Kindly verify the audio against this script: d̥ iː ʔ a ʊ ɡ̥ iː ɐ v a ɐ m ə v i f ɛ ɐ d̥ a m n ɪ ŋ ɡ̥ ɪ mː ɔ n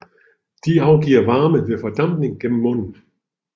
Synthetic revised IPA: d̥ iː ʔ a ʊ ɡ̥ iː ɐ v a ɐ m ə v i f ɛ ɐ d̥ a m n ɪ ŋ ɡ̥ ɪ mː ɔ n